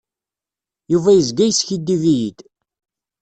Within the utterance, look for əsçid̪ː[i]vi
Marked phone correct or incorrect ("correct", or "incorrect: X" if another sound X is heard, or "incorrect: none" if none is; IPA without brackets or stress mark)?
correct